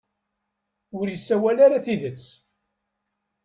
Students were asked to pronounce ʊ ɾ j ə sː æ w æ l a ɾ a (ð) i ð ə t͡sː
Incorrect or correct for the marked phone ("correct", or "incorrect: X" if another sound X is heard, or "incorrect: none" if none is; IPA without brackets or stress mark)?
incorrect: θ